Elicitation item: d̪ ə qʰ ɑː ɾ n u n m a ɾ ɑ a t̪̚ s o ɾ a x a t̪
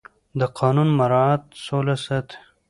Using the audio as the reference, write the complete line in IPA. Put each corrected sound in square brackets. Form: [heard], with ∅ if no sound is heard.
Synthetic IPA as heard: d̪ ə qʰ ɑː [∅] n u n m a ɾ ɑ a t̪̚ s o [l] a [s] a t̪